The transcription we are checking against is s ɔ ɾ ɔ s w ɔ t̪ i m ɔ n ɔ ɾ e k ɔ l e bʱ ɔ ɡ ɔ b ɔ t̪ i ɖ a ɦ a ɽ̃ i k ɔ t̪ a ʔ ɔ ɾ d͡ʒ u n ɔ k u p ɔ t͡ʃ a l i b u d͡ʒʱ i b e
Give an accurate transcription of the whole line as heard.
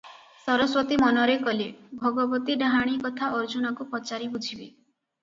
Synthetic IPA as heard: s ɔ ɾ ɔ s w ɔ t̪ i m ɔ n ɔ ɾ e k ɔ l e bʱ ɔ ɡ ɔ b ɔ t̪ i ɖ a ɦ a ɽ̃ i k ɔ t̪ʰ a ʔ ɔ ɾ d͡ʒ u n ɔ k u p ɔ t͡ʃ a ɾ i b u d͡ʒʱ i b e